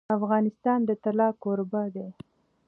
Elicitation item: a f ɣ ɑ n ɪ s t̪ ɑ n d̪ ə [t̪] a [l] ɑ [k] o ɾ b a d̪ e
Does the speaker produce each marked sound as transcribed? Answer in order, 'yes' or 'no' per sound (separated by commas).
yes, yes, yes